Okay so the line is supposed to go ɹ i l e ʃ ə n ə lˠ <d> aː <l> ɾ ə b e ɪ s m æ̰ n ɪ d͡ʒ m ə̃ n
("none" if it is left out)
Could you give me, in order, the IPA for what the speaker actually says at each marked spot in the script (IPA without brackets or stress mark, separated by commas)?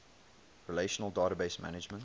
d, none